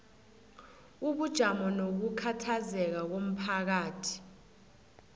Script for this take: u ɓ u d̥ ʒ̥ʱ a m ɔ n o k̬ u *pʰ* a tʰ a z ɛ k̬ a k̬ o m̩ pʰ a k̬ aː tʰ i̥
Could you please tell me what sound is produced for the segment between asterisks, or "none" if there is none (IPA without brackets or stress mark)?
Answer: kʰ